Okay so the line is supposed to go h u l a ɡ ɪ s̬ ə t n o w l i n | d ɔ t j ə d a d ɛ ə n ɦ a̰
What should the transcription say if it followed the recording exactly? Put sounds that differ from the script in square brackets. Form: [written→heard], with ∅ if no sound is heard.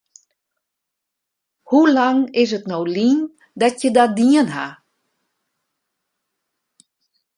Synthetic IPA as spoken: h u l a [ɡ→ŋ] ɪ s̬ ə t n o w l i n | d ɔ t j ə d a d [ɛ→i] ə n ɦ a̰

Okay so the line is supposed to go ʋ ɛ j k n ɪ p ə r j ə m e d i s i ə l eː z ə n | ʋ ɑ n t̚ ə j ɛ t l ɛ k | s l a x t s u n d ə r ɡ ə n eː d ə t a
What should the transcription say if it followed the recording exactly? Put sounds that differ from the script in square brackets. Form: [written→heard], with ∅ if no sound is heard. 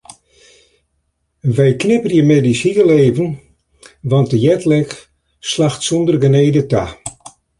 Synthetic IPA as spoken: ʋ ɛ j k n ɪ p ə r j ə m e d i s i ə l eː [z→v] ə n | ʋ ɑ n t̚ ə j ɛ t l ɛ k | s l a x t s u n d ə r ɡ ə n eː d ə t a

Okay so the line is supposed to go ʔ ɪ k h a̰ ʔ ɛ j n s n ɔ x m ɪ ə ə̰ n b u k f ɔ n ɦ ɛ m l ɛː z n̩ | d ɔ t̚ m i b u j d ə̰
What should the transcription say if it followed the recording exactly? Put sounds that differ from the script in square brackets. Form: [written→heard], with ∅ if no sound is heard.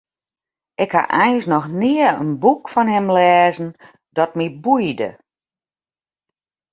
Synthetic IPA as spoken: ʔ ɪ k h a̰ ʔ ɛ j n s n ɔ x [m→n] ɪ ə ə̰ n b u k f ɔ n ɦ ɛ m l ɛː z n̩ | d ɔ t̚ m i b u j d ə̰

